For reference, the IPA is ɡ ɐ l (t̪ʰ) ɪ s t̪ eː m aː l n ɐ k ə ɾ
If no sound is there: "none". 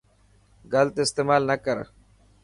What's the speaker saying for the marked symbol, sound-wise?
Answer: t̪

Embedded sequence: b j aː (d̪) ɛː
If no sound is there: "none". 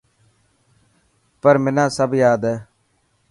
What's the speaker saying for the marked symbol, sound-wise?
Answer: d̪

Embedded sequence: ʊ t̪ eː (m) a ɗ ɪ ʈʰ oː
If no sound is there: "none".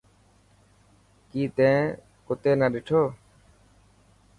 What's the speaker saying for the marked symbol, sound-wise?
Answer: n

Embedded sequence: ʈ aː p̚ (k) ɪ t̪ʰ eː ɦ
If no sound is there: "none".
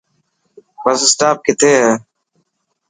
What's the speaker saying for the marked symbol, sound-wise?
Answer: k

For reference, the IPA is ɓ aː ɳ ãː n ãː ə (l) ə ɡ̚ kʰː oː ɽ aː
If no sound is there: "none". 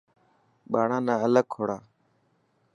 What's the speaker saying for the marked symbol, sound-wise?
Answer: l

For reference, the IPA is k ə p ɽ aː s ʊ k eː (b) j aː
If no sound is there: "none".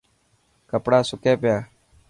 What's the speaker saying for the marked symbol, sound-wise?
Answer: p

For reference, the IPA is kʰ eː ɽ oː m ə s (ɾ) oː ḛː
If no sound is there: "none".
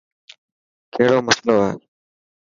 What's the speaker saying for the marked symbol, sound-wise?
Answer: l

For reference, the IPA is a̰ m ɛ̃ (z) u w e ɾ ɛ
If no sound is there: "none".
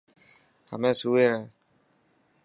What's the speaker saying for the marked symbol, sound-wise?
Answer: s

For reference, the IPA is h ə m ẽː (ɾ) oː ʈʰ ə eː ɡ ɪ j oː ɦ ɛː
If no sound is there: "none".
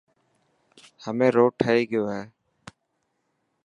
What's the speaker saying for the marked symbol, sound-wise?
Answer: ɾ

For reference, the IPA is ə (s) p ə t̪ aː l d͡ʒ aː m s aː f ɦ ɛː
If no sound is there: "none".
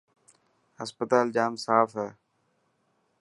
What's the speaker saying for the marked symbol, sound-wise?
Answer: s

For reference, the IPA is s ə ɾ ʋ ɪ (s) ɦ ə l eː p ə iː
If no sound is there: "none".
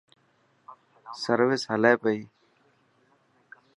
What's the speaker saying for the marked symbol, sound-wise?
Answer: s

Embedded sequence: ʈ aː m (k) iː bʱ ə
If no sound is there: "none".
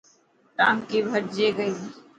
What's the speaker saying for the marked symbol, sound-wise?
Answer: k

